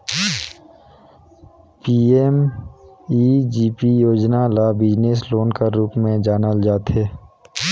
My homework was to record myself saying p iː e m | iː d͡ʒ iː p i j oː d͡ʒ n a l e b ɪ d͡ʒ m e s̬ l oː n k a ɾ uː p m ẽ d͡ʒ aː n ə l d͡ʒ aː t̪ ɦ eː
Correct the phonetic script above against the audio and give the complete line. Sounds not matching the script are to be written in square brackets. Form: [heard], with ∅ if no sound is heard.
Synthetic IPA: p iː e m | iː d͡ʒ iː p i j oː d͡ʒ n a l [a] b ɪ d͡ʒ [n] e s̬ l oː n k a ɾ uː p m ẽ d͡ʒ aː n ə l d͡ʒ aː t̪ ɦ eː